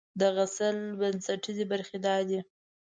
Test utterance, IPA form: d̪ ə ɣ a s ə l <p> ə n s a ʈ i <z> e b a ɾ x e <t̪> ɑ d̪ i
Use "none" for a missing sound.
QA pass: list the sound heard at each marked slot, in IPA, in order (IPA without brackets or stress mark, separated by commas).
b, z, d̪